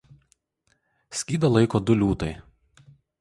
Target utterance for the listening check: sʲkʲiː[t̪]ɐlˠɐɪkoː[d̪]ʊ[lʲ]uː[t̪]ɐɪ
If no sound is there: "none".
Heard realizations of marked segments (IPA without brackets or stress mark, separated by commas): d̪, d̪, lʲ, t̪